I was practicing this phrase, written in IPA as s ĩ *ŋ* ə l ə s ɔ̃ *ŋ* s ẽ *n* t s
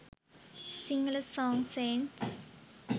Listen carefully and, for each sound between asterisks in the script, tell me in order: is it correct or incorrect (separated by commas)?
correct, correct, correct